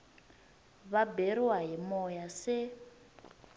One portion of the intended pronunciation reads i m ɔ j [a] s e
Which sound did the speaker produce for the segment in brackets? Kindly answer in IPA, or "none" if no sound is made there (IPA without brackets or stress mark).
a